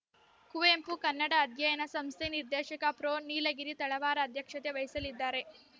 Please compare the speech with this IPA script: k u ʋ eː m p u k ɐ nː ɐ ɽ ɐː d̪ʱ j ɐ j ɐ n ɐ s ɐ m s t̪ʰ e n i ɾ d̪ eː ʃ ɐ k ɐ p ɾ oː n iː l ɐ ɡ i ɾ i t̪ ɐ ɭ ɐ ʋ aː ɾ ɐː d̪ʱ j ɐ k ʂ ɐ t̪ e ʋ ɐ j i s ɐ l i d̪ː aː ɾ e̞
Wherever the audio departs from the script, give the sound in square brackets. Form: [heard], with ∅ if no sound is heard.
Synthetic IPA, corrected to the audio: k u ʋ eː m p u k ɐ nː ɐ ɽ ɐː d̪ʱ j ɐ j ɐ n ɐ s ɐ m s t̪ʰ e n i ɾ d̪ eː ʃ ɐ k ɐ p ɾ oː n iː l ɐ ɡ i ɾ i t̪ ɐ ɭ ɐ ʋ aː ɾ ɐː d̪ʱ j ɐ k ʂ ɐ t̪ e ʋ ɐ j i s ɐ l i d̪ː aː ɾ e̞